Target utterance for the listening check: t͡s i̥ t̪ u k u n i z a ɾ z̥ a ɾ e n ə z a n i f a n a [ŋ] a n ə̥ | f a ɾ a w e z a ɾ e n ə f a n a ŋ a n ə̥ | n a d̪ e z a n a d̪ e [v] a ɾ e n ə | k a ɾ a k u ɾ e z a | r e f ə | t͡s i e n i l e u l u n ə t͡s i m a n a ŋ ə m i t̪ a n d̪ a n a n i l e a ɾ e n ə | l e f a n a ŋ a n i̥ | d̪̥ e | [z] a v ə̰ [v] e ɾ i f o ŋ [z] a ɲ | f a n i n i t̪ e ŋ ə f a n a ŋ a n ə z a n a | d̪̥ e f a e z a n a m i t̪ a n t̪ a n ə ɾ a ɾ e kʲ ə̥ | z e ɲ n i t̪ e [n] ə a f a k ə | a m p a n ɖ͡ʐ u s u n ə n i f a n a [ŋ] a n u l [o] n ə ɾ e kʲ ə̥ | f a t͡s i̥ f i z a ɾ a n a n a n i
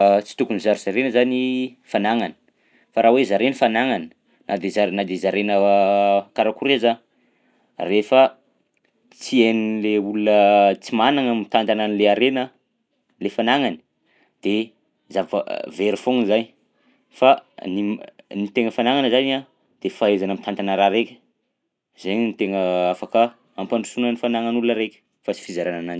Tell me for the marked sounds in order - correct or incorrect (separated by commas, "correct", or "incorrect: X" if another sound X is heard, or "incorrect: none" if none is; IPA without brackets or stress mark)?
correct, incorrect: z, correct, correct, correct, incorrect: ŋ, correct, incorrect: u